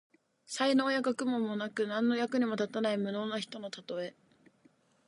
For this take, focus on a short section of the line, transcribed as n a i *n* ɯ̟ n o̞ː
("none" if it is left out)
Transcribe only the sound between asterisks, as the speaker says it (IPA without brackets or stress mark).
m